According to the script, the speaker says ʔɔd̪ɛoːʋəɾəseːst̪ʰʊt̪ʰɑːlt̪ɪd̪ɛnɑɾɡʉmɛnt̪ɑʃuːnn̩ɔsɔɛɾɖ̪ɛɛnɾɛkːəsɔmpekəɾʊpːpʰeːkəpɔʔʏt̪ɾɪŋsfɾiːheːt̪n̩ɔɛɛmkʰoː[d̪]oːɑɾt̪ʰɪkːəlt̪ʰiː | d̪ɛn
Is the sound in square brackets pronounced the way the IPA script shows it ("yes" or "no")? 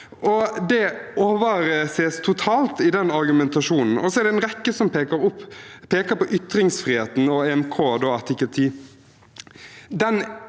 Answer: yes